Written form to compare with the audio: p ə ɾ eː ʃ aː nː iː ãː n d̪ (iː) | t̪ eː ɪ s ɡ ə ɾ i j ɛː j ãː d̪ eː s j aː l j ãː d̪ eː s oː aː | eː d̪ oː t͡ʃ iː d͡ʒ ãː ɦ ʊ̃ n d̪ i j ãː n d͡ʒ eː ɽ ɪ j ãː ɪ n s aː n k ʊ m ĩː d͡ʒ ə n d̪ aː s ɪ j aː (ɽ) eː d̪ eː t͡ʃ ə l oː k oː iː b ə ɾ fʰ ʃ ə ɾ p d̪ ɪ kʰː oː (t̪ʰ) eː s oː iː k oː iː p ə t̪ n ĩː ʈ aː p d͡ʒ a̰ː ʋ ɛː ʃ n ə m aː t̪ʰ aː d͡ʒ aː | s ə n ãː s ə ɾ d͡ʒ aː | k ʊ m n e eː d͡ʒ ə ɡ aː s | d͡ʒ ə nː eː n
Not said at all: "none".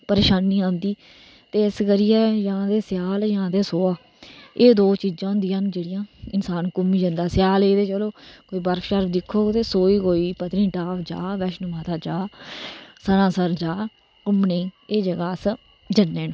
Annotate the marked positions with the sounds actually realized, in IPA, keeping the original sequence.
iː, l, t̪

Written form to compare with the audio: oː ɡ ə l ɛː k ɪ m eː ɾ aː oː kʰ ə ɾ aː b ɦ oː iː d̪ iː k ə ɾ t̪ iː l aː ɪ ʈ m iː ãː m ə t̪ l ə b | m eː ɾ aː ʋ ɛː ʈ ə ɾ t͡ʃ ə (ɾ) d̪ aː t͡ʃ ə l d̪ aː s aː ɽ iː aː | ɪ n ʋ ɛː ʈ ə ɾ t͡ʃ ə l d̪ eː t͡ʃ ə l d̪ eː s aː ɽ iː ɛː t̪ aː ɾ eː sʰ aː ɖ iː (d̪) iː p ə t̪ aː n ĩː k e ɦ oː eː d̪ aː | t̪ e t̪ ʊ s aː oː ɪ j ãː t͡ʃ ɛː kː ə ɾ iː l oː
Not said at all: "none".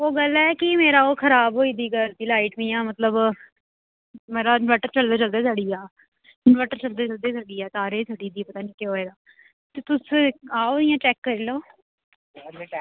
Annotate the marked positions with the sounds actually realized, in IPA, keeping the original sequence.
l, d̪

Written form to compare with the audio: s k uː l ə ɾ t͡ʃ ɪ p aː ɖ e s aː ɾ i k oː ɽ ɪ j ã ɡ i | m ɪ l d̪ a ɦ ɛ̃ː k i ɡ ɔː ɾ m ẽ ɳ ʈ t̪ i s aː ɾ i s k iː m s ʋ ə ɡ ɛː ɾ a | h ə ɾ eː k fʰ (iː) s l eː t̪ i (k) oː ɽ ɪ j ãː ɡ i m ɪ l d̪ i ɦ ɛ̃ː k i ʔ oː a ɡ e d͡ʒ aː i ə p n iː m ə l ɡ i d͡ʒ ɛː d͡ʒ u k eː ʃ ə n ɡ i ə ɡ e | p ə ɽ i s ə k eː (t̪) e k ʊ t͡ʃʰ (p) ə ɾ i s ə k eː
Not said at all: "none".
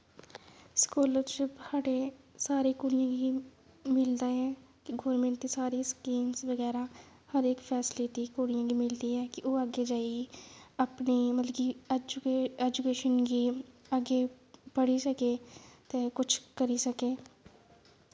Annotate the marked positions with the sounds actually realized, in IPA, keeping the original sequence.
ɛː, k, t̪, k

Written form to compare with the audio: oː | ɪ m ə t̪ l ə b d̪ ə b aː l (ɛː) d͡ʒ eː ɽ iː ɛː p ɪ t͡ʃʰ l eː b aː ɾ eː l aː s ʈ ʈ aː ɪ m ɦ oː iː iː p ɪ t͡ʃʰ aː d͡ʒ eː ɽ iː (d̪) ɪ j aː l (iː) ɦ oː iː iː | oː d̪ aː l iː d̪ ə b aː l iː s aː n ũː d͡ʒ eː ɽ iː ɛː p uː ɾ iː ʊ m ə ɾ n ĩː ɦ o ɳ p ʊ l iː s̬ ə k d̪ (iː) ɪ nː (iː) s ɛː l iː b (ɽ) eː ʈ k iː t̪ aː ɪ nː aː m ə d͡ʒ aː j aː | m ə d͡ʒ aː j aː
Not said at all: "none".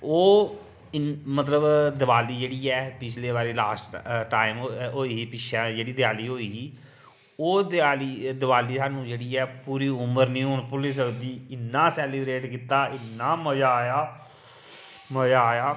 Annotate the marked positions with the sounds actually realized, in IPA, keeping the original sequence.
iː, d̪, iː, iː, aː, ɾ

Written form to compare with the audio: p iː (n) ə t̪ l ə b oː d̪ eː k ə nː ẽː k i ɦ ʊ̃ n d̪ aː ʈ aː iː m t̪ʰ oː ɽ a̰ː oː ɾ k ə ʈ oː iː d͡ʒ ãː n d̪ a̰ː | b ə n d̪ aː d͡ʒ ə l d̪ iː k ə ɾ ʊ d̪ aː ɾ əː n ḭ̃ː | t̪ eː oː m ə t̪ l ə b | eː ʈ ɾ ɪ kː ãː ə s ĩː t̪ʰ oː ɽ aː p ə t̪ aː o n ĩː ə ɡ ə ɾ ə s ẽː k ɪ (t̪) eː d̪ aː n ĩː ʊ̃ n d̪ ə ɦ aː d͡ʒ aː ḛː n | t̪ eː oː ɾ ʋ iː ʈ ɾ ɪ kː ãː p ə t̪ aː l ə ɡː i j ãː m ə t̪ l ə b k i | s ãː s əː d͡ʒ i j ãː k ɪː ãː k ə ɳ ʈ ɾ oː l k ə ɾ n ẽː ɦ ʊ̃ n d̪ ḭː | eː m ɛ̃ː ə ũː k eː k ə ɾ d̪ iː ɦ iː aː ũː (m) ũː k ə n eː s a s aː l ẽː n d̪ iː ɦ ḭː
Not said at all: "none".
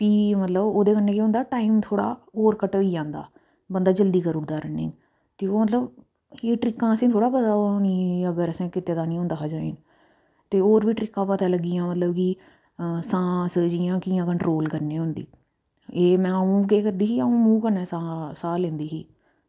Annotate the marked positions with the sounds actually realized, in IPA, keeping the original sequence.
m, t̪, m

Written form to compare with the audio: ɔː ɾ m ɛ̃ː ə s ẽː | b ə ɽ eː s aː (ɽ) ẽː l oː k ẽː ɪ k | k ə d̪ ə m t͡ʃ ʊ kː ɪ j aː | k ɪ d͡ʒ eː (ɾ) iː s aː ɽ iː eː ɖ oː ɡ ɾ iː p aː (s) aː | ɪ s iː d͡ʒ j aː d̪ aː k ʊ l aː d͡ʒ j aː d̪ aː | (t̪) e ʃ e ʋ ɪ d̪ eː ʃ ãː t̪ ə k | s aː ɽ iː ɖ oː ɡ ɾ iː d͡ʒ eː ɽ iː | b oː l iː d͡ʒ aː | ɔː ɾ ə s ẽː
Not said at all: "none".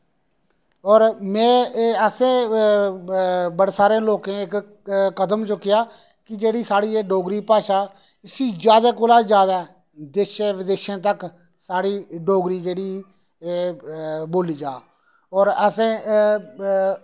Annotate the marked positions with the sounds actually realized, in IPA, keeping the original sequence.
ɾ, ɽ, ʃ, d̪

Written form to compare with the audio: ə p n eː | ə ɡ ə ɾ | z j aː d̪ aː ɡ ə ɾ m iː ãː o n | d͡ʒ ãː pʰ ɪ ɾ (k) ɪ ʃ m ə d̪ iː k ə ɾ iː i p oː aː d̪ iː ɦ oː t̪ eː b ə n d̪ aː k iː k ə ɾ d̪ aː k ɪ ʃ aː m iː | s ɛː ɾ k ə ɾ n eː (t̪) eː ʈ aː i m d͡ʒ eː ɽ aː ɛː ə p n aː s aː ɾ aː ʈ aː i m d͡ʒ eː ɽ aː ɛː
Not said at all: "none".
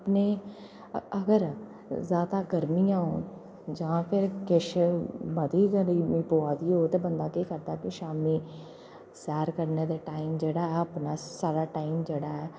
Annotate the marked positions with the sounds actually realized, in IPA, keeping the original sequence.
k, d̪

